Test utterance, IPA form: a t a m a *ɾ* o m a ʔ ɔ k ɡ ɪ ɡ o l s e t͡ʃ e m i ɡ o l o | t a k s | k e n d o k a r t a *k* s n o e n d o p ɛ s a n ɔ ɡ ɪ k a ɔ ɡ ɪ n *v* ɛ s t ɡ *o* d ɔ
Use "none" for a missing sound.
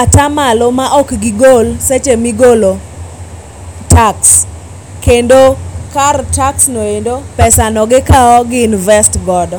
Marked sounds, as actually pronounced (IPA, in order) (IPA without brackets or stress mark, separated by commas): l, k, v, ɔ